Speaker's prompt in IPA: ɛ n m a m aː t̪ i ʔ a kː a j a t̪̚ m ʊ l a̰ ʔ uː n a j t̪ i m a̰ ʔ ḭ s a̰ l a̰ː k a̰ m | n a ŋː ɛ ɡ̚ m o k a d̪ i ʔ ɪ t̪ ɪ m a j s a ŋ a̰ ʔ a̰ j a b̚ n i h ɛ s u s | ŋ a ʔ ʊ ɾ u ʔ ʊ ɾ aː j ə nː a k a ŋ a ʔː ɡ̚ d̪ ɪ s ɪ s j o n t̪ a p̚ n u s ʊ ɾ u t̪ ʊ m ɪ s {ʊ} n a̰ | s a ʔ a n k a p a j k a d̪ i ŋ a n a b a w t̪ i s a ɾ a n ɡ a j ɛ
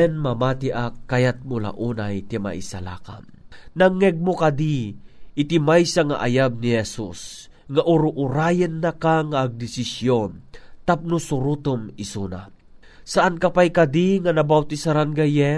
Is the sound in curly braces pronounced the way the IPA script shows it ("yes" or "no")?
no